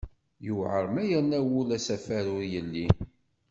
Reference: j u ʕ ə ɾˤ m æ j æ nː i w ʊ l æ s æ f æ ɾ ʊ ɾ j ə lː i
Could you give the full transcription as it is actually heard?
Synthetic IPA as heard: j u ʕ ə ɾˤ m æ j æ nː æ w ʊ l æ s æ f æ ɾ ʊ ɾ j ə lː i